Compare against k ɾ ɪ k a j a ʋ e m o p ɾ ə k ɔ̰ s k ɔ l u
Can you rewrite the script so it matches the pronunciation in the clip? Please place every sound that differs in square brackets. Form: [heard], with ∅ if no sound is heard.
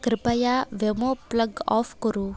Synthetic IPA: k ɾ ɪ [p] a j a ʋ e m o p [l] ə [ɡ] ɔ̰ [f] k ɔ [ɾ] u